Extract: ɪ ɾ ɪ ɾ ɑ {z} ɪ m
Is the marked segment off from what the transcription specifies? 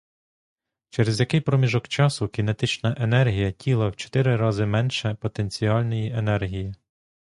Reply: no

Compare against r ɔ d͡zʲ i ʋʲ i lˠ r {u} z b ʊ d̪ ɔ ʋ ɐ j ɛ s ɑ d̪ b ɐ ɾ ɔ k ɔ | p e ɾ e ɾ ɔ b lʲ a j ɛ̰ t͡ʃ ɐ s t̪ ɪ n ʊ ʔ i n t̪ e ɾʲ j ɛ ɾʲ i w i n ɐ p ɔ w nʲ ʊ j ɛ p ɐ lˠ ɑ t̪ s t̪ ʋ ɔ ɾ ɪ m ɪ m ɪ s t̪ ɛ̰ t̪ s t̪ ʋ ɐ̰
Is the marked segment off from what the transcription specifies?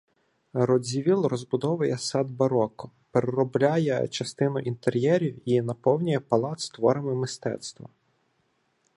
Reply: yes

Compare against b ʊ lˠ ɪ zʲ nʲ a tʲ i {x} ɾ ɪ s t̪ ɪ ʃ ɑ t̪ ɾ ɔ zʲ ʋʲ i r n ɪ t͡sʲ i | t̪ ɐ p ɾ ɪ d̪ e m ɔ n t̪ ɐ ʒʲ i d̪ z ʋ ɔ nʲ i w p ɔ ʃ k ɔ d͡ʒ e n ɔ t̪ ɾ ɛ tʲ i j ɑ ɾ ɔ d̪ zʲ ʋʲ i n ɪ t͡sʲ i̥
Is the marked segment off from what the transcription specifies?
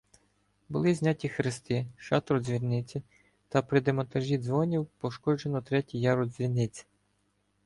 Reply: no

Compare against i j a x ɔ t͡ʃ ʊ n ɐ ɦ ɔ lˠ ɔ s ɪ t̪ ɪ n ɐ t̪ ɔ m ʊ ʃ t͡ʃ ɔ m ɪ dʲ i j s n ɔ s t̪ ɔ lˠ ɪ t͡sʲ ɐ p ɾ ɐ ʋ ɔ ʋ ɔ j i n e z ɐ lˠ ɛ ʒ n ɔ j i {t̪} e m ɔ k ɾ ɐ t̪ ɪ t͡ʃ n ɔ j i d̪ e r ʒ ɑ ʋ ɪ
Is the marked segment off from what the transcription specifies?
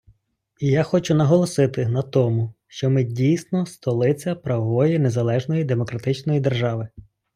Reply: yes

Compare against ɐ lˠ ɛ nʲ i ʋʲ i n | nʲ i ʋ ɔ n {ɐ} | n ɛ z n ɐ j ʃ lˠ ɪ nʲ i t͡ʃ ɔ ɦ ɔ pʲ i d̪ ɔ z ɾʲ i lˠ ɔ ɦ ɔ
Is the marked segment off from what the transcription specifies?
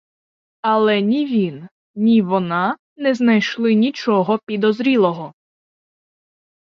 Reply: yes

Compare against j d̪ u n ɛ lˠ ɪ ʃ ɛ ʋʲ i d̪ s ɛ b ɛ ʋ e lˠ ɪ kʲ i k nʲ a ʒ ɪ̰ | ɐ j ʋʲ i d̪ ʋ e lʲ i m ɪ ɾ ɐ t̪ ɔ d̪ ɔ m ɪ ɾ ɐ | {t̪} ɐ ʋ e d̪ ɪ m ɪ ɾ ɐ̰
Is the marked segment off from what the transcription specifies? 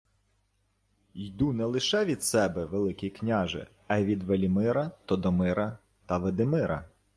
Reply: no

